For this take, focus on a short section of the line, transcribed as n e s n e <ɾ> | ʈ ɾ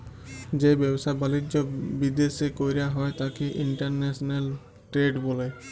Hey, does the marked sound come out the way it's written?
no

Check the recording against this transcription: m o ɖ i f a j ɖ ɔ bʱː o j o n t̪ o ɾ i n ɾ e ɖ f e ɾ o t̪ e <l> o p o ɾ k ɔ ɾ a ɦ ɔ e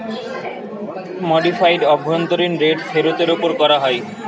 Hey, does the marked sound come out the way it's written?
no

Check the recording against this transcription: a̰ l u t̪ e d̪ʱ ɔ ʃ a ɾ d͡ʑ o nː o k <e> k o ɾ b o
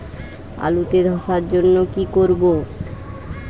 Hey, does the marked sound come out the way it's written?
no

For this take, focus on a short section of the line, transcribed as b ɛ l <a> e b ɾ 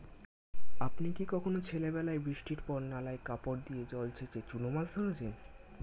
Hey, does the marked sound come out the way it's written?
yes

